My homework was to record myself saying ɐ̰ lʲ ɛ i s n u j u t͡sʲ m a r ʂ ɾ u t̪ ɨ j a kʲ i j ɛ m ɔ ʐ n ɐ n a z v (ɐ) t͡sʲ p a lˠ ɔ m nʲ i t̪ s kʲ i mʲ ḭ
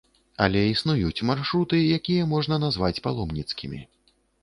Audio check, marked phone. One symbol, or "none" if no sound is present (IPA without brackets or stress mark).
a